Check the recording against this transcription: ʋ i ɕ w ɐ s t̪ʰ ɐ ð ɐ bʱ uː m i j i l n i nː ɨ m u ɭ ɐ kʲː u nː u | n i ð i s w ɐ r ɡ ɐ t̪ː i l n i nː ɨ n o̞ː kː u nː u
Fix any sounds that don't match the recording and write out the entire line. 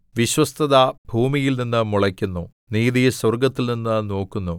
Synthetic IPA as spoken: ʋ i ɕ w ɐ s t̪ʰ ɐ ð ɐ bʱ uː m i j i l n i nː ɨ m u ɭ ɐ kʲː u nː u | n iː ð i s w ɐ r ɡ ɐ t̪ː i l n i nː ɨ n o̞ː kː u nː u